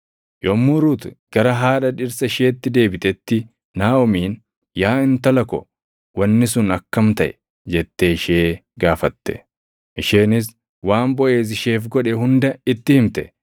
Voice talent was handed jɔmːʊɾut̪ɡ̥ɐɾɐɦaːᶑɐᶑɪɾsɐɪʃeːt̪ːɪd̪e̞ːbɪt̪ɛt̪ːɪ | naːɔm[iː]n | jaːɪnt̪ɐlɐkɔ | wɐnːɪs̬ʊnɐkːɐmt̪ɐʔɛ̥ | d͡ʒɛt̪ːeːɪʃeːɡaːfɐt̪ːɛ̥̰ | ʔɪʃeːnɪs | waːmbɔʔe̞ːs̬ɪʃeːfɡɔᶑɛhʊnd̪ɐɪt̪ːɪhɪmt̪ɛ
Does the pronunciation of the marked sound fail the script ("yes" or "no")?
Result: no